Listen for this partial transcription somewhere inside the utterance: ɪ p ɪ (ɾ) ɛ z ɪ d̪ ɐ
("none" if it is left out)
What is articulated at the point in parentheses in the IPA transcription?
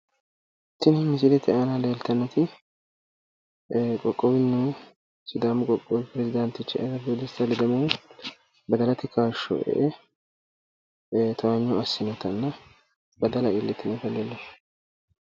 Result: ɾ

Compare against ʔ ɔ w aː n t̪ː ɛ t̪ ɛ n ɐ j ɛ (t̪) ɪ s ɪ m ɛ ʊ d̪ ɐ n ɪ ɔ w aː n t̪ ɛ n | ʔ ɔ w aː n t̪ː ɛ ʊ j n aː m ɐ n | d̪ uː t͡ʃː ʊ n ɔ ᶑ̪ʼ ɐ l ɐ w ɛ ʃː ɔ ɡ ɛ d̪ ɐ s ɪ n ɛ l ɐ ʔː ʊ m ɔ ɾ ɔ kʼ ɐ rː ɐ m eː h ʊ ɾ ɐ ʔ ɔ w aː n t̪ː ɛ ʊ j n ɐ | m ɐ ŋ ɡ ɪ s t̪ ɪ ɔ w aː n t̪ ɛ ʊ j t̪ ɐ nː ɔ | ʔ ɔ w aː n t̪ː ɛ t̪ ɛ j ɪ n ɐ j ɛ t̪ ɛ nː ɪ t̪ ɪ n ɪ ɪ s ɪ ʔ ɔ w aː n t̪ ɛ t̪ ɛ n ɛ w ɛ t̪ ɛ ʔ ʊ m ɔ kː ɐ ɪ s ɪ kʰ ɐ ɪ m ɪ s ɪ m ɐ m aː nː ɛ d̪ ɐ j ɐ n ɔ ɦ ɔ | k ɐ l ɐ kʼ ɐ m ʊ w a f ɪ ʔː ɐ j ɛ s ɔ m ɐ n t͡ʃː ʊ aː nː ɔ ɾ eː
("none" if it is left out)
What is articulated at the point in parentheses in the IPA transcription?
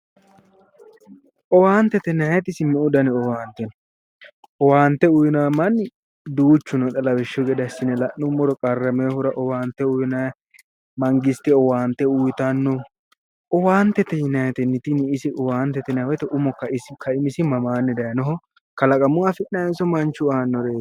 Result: t̪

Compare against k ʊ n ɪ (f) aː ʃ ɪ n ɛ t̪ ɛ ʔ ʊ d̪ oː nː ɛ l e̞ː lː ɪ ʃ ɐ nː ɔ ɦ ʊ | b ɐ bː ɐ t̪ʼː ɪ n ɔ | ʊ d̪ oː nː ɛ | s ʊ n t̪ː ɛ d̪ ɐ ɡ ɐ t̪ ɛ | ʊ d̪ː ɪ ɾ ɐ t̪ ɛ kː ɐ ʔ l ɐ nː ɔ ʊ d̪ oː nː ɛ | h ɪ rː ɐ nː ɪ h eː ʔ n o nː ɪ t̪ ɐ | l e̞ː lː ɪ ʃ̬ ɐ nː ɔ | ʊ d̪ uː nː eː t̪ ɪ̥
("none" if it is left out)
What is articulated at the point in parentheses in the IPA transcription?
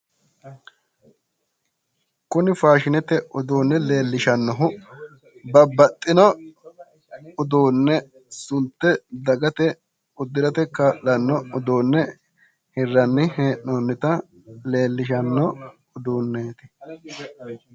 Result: f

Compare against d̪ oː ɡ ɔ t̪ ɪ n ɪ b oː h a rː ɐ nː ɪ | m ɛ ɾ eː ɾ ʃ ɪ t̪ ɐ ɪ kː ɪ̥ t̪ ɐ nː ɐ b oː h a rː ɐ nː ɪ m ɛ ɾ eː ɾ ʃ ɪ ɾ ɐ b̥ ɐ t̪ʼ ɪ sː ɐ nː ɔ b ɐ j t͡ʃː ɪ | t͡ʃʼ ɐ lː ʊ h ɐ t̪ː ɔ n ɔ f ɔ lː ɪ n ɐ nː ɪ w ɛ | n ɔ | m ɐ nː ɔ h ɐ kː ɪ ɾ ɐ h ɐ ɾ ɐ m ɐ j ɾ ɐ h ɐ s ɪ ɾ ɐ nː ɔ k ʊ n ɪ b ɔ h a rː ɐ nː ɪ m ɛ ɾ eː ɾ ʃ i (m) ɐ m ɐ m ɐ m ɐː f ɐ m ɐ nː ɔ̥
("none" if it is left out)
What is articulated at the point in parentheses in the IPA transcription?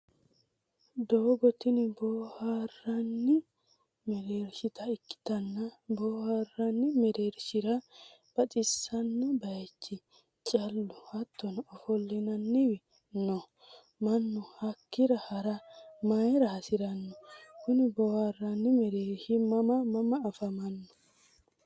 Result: m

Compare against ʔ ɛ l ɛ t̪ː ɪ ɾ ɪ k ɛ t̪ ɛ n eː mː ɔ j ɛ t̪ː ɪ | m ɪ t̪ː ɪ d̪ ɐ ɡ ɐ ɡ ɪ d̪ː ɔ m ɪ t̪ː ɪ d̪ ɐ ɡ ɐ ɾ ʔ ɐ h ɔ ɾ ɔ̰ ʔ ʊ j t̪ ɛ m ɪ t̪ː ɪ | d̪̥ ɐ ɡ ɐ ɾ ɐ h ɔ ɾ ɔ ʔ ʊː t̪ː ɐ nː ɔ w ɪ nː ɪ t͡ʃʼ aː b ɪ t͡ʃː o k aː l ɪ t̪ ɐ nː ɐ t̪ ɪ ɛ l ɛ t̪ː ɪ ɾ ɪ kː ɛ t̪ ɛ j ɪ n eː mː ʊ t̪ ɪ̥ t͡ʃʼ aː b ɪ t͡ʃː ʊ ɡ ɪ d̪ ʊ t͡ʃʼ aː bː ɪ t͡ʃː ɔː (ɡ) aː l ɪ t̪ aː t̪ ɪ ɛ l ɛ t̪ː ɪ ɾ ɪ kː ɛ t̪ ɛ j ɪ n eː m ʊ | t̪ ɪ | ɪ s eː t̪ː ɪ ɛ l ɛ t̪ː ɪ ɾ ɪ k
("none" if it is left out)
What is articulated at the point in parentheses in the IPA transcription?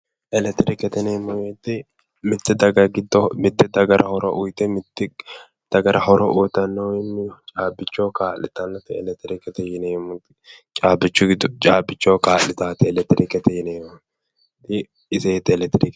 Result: k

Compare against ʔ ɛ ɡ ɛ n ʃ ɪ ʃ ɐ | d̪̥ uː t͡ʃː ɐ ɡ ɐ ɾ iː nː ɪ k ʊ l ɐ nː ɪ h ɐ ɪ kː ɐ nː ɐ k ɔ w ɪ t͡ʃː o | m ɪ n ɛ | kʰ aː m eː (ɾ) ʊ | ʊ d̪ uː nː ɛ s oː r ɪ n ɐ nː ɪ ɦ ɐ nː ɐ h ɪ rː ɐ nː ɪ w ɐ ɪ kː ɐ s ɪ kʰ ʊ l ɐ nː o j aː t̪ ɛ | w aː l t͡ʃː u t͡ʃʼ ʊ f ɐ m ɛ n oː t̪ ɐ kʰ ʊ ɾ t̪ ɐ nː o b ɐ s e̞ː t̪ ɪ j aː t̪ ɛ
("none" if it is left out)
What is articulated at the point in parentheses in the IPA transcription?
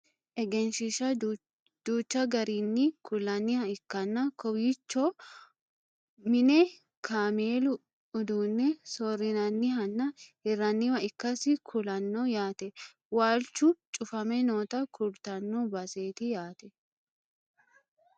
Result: l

